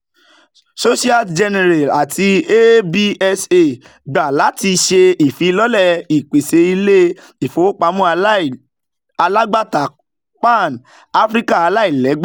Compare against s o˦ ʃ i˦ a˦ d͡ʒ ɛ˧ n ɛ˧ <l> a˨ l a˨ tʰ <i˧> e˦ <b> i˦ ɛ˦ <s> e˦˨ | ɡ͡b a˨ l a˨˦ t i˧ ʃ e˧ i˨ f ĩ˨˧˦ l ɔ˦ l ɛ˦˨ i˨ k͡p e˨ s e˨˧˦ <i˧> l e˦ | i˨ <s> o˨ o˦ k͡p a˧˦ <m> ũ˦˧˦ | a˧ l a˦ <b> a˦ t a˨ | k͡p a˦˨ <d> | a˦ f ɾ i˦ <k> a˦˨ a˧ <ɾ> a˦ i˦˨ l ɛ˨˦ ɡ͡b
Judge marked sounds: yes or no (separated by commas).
no, yes, yes, yes, yes, no, yes, no, no, yes, no